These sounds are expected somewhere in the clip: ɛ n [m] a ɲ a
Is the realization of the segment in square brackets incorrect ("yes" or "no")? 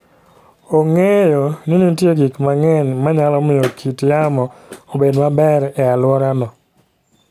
no